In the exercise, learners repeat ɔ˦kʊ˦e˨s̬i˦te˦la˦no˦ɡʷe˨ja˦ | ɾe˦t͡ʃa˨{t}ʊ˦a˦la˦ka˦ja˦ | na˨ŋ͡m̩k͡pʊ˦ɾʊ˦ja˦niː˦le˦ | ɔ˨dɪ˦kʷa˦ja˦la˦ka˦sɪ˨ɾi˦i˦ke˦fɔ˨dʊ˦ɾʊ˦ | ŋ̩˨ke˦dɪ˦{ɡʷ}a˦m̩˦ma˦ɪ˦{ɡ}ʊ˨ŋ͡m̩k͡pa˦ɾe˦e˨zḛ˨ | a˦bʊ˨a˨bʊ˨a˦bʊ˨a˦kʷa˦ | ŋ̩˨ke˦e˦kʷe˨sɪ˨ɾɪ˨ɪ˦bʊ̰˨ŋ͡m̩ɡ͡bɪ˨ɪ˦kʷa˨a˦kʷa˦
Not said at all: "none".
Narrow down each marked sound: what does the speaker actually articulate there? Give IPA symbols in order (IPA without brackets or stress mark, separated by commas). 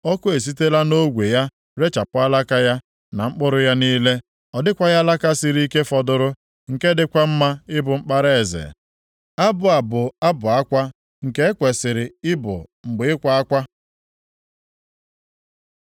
p, kʷ, b